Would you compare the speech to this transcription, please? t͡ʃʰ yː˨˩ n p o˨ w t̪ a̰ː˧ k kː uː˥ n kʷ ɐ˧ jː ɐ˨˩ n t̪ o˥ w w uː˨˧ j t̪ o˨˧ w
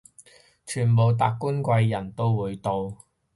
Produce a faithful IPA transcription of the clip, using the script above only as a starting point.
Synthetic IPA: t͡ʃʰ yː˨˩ n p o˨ w t̪ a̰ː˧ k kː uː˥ n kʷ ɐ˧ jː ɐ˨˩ n t̪ o˥ w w uː˨˧ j t̪ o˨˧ w

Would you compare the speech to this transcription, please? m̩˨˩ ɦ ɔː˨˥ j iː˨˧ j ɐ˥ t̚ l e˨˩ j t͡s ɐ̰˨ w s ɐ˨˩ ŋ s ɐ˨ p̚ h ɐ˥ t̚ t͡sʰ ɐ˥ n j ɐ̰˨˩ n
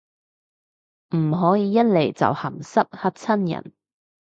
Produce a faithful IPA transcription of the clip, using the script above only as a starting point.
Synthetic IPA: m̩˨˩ ɦ ɔː˨˥ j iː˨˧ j ɐ˥ t̚ l e˨˩ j t͡s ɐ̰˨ w h ɐ˨˩ m s ɐ˥ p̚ h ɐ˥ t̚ t͡sʰ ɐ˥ n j ɐ̰˨˩ n

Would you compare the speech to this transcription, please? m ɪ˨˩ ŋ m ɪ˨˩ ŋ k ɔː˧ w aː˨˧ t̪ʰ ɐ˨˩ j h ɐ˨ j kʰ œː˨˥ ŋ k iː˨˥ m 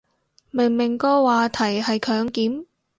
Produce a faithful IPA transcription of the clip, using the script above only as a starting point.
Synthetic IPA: m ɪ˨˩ ŋ m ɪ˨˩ ŋ k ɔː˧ w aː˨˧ t̪ʰ ɐ˨˩ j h ɐ˨ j kʰ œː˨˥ ŋ k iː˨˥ m

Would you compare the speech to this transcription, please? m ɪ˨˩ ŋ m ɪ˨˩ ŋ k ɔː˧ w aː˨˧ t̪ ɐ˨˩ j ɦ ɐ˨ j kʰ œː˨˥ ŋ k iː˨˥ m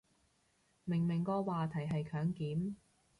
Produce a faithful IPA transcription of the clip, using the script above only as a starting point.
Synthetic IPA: m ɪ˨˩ ŋ m ɪ˨˩ ŋ k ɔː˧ w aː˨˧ t̪ʰ ɐ˨˩ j ɦ ɐ˨ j kʰ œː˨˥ ŋ k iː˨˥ m

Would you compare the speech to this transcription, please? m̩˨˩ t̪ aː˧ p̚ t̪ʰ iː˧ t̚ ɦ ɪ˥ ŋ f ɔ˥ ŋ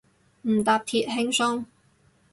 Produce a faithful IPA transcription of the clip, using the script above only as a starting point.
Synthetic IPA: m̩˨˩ t̪ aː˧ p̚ t̪ʰ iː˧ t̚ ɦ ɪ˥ ŋ s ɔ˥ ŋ

